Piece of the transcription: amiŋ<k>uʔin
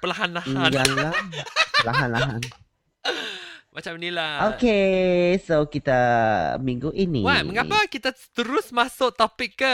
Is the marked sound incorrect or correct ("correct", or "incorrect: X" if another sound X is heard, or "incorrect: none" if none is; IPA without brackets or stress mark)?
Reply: incorrect: ɡ